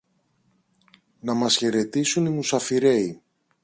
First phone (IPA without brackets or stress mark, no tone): n